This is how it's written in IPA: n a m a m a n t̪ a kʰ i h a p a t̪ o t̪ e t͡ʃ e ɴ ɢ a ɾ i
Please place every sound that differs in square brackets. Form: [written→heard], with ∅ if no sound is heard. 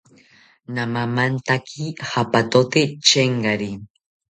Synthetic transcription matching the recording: n a m a m a n t̪ a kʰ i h a p a t̪ o t̪ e t͡ʃ e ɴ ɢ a ɾ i

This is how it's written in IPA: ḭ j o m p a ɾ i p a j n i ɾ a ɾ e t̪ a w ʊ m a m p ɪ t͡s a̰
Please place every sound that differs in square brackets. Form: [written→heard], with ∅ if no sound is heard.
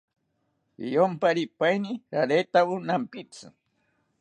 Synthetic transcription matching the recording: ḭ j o m p a ɾ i p a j n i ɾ a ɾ e t̪ a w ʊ [m→n] a m p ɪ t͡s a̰

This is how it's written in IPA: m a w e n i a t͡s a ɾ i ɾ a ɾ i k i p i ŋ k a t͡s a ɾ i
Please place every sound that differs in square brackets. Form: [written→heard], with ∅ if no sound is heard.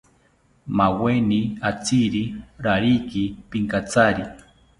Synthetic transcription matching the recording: m a w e n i a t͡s [a→i] ɾ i ɾ a ɾ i k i p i ŋ k a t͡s a ɾ i

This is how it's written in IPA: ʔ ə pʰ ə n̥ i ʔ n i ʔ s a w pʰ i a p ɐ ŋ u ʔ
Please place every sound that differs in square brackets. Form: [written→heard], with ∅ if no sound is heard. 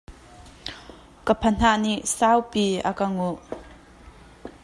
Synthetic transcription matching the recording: [ʔ→k] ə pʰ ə n̥ [i→a] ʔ n i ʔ s a w [pʰ→p] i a [p→k] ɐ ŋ u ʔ

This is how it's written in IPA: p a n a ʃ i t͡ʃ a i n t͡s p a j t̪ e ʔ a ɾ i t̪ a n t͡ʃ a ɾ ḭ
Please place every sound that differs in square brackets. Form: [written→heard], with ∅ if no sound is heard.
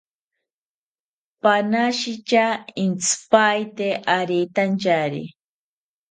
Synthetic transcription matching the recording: p a n a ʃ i t͡ʃ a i n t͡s p a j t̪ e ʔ a ɾ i t̪ a n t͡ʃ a ɾ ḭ

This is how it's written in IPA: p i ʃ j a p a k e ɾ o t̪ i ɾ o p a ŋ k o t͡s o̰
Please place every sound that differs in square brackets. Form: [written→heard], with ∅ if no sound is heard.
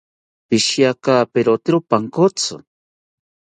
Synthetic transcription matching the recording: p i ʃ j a [p→k] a [k→p] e ɾ o t̪ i ɾ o p a ŋ k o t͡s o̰

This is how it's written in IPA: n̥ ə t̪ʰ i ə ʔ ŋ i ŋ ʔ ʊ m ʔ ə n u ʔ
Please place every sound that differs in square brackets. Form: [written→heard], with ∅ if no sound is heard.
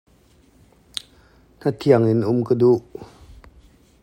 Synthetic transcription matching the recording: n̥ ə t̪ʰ i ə [ʔ→∅] ŋ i [ŋ→n] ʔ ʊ m [ʔ→k] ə [n→d] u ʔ

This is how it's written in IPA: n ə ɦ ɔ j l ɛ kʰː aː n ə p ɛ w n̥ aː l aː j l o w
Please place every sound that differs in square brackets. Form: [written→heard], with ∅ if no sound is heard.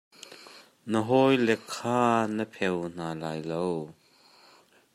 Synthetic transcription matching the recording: n ə ɦ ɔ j l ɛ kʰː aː n ə [p→pʰ] ɛ w n̥ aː l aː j l o w

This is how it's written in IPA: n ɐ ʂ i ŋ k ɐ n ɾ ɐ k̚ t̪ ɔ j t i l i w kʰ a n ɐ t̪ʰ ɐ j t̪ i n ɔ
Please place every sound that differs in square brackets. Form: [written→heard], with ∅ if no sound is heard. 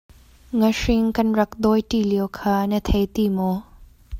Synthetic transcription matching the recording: [n→ŋ] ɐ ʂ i ŋ k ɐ n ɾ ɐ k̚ [t̪→d̪] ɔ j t i l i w kʰ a n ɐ t̪ʰ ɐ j t̪ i [n→m] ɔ

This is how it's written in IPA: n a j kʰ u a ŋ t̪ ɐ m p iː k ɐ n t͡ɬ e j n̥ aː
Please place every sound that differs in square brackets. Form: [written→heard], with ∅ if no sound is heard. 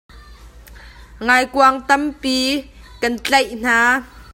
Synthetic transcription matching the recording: [n→ŋ] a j [kʰ→k] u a ŋ t̪ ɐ m p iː k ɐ n t͡ɬ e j n̥ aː

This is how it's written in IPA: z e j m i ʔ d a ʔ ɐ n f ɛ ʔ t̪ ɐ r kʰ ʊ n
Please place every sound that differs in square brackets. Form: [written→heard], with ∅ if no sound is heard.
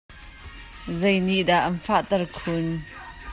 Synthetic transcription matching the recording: z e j [m→n] i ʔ d a ʔ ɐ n f [ɛ→a] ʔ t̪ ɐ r kʰ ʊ n

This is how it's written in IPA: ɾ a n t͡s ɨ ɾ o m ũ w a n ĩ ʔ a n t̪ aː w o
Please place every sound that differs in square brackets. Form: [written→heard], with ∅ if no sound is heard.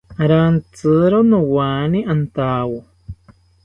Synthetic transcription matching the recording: ɾ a n t͡s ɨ ɾ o [m→n] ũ w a n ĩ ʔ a n t̪ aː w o

